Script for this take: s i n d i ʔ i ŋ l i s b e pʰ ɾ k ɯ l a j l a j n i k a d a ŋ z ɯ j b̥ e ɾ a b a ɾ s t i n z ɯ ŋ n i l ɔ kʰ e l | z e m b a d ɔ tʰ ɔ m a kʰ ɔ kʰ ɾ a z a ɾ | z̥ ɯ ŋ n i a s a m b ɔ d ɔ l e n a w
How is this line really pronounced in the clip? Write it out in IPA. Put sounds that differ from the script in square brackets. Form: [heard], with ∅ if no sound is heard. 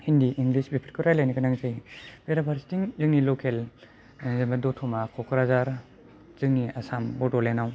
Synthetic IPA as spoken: [h] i n d i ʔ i ŋ l i s b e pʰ ɾ k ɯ [ɾ] a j l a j n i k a [n] a ŋ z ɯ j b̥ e ɾ a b a ɾ s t i [ŋ] z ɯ ŋ n i l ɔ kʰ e l | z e m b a d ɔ tʰ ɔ m a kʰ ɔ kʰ ɾ a z a ɾ | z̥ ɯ ŋ n i a s a m b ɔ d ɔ l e n a w